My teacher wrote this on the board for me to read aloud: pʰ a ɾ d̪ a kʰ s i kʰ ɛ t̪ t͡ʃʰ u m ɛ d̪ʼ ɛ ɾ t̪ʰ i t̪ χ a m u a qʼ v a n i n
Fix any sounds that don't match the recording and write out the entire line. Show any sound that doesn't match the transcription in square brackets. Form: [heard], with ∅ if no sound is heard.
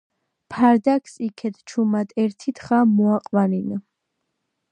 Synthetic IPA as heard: pʰ a ɾ d̪ a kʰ s i kʰ ɛ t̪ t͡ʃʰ u m [a] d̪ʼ ɛ ɾ t̪ʰ i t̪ χ a m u a qʼ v a n i n